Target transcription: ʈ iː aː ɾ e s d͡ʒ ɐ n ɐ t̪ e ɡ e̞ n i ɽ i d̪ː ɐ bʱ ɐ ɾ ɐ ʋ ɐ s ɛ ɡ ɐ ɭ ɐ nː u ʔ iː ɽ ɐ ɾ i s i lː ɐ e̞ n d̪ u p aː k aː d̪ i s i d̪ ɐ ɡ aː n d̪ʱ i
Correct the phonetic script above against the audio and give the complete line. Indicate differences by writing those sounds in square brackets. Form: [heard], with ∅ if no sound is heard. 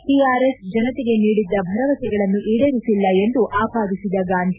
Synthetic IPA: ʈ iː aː ɾ e s d͡ʒ ɐ n ɐ t̪ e ɡ e̞ n [iː] ɽ i d̪ː ɐ bʱ ɐ ɾ ɐ ʋ ɐ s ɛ ɡ ɐ ɭ ɐ nː u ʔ iː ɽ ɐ ɾ i s i lː ɐ e̞ n d̪ u [ʔ] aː [p] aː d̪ i s i d̪ ɐ ɡ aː n d̪ʱ i